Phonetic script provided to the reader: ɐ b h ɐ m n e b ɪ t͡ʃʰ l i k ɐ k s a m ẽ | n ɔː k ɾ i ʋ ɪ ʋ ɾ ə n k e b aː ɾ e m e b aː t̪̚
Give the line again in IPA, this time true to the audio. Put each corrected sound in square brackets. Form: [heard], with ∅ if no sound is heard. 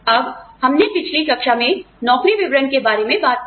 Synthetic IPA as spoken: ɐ b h ɐ m n e [p] ɪ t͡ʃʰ l i k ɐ k [ʃ] a m ẽ | n ɔː k ɾ i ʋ ɪ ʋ ɾ ə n k e b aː ɾ e m [ẽ] b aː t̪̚